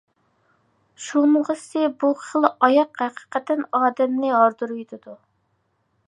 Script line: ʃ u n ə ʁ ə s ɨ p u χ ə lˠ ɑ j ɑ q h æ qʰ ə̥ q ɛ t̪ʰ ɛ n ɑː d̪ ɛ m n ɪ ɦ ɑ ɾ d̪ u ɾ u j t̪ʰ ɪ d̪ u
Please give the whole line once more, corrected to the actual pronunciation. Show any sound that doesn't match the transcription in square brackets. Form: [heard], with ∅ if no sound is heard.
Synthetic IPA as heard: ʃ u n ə ʁ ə s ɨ [b] u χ ə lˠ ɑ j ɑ q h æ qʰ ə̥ q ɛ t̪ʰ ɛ n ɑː d̪ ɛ m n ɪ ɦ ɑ ɾ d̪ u ɾ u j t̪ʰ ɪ d̪ u